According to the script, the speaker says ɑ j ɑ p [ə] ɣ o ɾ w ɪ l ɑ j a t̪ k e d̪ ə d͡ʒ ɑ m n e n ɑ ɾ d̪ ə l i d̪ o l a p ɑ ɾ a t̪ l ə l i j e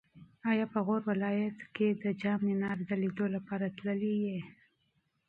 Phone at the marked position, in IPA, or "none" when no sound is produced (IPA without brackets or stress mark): ə